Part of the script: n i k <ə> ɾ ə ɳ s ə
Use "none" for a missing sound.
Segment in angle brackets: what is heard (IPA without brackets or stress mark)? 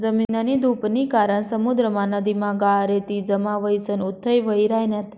a